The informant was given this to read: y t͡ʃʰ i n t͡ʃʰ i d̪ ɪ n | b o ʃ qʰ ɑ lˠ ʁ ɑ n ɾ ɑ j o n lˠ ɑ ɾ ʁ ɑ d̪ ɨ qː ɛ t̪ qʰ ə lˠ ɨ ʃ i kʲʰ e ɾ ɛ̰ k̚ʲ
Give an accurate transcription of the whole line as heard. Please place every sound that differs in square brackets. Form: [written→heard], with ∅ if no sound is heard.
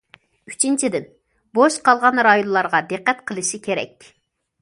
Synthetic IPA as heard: y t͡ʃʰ i n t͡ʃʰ i d̪ ɪ n | b o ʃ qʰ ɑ lˠ ʁ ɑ n ɾ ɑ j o n lˠ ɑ ɾ ʁ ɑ d̪ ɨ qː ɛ t̪ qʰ ə lˠ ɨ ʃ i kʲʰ e ɾ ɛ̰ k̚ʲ